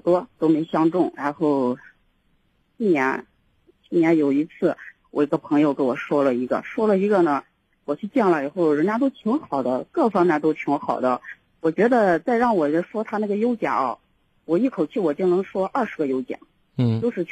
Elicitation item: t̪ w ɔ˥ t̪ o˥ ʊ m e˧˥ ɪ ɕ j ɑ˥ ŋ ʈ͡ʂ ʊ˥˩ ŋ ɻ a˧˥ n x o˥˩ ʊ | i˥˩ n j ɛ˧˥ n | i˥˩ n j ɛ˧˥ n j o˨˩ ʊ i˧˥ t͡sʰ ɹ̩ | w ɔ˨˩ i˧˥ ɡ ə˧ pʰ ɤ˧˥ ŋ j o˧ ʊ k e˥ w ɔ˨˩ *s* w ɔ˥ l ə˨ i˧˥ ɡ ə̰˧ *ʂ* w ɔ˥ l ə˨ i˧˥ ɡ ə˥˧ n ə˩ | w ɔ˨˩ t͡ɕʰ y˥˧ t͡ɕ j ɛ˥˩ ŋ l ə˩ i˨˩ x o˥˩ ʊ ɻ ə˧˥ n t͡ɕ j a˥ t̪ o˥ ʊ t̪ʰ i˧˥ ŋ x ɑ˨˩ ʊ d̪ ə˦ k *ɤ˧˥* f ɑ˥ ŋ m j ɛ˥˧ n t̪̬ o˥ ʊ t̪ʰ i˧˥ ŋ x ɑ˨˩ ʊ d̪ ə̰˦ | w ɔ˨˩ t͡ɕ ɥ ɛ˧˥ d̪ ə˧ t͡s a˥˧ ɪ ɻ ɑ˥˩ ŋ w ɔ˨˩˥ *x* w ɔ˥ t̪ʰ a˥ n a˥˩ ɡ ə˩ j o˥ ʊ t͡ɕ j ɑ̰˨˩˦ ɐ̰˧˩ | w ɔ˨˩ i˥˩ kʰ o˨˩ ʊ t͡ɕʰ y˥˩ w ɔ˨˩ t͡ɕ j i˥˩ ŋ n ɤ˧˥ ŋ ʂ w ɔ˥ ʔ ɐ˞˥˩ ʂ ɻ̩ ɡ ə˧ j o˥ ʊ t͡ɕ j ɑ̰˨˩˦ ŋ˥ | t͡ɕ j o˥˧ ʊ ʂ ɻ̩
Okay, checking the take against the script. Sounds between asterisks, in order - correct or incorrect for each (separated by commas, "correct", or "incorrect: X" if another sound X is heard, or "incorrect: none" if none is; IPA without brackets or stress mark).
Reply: incorrect: ʂ, correct, incorrect: ɤ˥˩, incorrect: ʂ